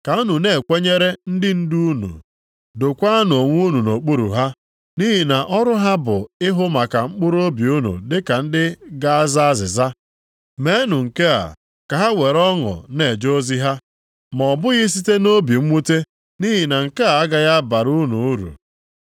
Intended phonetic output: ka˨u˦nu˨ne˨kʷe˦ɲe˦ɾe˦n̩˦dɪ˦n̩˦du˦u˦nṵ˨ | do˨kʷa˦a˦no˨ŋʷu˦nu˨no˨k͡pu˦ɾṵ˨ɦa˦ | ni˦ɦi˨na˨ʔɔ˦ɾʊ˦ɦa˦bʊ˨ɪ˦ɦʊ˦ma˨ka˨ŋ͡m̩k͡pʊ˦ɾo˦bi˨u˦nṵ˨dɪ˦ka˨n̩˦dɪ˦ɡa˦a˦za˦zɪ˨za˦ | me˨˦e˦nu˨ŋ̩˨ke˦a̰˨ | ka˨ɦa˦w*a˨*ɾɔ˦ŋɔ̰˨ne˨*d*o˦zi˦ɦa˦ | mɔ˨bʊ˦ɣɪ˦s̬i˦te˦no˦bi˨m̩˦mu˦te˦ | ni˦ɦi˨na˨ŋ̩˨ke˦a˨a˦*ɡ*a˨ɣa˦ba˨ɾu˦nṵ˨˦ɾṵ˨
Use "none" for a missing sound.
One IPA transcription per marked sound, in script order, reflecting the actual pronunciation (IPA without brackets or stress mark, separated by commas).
e˨, d͡ʒ, ɡ